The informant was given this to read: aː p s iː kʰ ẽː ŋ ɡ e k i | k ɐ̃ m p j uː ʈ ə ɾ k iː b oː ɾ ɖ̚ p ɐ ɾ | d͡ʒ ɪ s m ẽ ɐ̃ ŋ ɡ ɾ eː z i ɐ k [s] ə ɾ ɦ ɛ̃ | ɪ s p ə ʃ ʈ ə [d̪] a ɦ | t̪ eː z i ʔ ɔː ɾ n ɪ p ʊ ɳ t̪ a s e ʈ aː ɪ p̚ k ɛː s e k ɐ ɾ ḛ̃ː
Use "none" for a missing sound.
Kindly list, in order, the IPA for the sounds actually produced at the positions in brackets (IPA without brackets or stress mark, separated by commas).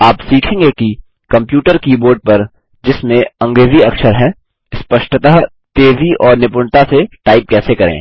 ʃ, t̪